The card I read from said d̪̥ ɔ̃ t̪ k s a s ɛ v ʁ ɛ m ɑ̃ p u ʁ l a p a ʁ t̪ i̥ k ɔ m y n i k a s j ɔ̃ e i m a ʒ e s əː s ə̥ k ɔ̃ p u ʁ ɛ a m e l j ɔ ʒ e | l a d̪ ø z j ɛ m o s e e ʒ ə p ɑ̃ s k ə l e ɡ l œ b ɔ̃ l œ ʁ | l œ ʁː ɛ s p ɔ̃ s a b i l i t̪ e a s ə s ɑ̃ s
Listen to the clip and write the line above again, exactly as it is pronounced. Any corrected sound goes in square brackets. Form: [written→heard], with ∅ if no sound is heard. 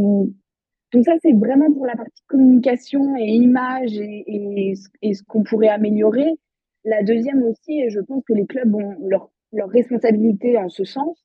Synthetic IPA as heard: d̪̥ ɔ̃ [t̪→∅] k s a s ɛ v ʁ ɛ m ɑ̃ p u ʁ l a p a ʁ t̪ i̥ k ɔ m y n i k a s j ɔ̃ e i m a ʒ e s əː s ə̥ k ɔ̃ p u ʁ ɛ a m e l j ɔ [ʒ→ʁ] e | l a d̪ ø z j ɛ m o s [e→i] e ʒ ə p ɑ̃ s k ə l e [ɡ→k] l œ b ɔ̃ l œ ʁ | l œ ʁː ɛ s p ɔ̃ s a b i l i t̪ e a s ə s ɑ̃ s